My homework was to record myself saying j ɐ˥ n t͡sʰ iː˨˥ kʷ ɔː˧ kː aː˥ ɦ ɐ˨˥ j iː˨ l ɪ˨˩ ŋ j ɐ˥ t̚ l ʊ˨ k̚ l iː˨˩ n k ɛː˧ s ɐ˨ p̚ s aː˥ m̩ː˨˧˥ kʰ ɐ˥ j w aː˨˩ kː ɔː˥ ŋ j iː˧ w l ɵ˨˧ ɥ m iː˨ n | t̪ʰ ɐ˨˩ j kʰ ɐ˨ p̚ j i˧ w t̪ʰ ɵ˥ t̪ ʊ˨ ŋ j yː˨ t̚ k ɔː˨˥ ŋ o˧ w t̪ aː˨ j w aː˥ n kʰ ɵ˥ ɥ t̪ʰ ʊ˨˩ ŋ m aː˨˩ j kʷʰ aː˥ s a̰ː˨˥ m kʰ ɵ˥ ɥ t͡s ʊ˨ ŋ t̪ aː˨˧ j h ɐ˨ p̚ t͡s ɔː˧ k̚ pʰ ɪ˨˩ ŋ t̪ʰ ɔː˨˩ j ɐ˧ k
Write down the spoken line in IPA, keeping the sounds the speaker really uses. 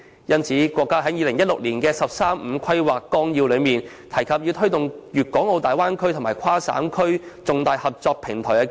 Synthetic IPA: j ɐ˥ n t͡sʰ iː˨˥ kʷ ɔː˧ kː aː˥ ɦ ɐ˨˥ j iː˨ l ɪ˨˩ ŋ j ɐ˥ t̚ l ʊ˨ k̚ l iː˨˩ n k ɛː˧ s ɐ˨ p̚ s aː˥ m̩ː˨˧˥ kʰ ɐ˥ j w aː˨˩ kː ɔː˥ ŋ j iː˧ w l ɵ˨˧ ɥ m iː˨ n | t̪ʰ ɐ˨˩ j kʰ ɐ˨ p̚ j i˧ w t̪ʰ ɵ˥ t̪ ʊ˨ ŋ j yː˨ t̚ k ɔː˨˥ ŋ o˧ w t̪ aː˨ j w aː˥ n kʰ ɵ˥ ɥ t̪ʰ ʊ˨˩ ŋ m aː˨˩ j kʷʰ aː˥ s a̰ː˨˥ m kʰ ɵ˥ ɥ t͡s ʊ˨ ŋ t̪ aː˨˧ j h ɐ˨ p̚ t͡s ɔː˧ k̚ pʰ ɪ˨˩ ŋ t̪ʰ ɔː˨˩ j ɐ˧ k